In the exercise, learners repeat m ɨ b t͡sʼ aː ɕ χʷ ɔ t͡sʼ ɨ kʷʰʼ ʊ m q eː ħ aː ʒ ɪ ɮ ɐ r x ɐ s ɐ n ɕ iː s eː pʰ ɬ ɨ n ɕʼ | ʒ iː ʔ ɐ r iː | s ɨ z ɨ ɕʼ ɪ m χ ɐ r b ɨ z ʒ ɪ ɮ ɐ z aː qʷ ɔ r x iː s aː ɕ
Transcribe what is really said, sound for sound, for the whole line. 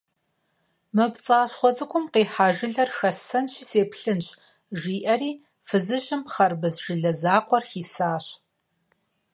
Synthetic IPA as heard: m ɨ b t͡sʼ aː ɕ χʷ ɔ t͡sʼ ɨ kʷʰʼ ʊ m q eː ħ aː ʒ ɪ ɮ ɐ r x ɐ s ɐ n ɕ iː s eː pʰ ɬ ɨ n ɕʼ | ʒ iː ʔ ɐ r iː | f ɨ z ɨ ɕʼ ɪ m χ ɐ r b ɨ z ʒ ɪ ɮ ɐ z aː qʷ ɔ r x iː s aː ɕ